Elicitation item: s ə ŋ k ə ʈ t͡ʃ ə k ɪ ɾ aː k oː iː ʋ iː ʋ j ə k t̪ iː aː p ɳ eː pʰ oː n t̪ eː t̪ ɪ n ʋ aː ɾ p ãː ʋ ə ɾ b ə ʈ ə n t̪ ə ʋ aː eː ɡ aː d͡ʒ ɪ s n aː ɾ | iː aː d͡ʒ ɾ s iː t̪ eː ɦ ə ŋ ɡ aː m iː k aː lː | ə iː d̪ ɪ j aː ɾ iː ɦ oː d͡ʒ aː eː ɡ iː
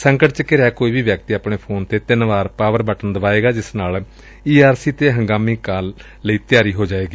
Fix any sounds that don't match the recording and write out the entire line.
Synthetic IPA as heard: s ə ŋ k ə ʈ t͡ʃ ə k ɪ ɾ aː k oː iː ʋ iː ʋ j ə k t̪ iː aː p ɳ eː pʰ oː n t̪ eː t̪ ɪ n ʋ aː ɾ p aː ʋ ə ɾ b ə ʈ ə n d̪ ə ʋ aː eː ɡ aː d͡ʒ ɪ s n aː l | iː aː ɾ s iː t̪ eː ɦ ə ŋ ɡ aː m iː k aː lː | ə iː t̪ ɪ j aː ɾ iː ɦ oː d͡ʒ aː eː ɡ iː